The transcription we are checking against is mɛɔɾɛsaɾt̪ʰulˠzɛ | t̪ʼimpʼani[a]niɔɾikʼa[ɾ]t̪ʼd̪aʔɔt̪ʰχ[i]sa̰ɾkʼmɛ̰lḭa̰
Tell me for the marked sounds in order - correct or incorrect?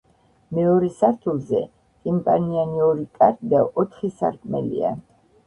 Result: correct, correct, correct

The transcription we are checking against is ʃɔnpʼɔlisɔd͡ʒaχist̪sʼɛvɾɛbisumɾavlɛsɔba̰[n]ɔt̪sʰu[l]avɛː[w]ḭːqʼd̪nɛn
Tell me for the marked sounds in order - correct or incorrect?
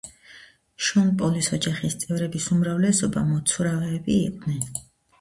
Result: incorrect: m, incorrect: ɾ, incorrect: b

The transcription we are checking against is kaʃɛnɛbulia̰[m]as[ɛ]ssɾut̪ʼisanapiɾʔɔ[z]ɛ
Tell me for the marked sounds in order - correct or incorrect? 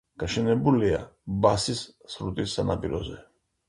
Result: incorrect: b, incorrect: i, correct

